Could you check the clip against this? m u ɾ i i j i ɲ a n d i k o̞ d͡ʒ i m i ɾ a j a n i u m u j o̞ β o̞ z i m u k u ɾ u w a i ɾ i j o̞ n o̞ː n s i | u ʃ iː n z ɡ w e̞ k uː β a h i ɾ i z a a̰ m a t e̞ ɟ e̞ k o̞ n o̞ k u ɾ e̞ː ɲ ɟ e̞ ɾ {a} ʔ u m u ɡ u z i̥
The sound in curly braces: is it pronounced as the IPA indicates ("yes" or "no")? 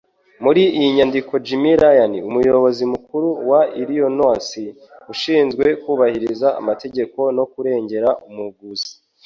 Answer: yes